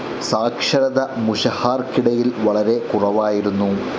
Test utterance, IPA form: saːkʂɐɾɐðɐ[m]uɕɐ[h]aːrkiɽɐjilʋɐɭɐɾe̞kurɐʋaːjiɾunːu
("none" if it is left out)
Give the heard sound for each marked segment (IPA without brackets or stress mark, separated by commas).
m, h